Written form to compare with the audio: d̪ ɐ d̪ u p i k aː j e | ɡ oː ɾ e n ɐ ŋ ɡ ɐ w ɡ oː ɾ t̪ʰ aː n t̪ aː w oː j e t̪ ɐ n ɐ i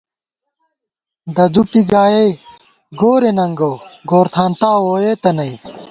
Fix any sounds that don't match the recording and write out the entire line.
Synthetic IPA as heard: d̪ ɐ d̪ u p i ɡ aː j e | ɡ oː ɾ e n ɐ ŋ ɡ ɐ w ɡ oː ɾ t̪ʰ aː n t̪ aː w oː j e t̪ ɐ n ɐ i